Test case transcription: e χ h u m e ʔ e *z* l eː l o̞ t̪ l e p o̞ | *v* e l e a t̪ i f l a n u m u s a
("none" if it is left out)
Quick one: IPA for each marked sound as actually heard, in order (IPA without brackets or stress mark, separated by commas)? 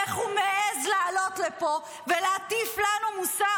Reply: z, v